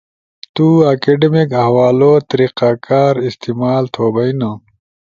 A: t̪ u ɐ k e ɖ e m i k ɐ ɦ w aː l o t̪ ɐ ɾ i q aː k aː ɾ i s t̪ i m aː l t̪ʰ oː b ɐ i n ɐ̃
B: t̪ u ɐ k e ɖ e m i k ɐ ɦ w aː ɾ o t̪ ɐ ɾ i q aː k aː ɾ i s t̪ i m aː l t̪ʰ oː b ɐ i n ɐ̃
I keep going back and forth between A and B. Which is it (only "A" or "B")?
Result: A